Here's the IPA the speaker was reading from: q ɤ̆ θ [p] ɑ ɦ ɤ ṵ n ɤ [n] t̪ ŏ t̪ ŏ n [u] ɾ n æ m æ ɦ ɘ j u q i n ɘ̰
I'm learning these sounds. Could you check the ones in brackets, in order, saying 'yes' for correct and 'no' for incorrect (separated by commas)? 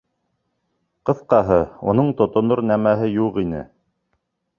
no, no, no